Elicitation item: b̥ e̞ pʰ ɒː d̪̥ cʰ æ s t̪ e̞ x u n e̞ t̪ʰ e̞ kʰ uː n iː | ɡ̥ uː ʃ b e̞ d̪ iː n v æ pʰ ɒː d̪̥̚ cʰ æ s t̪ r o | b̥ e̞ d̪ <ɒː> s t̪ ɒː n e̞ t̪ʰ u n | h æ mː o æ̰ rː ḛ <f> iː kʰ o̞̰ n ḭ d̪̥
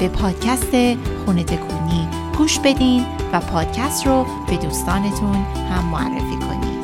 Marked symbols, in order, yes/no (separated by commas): no, yes